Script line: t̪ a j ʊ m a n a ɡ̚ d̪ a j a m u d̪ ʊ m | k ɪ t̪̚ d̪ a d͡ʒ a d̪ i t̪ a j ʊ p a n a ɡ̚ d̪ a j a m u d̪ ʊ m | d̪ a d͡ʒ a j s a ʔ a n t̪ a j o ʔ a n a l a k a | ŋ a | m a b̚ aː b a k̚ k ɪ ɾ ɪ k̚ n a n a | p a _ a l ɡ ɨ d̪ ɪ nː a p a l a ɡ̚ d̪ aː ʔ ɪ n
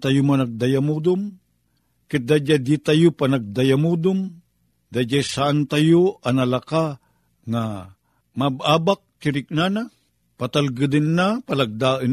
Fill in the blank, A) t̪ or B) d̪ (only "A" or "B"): A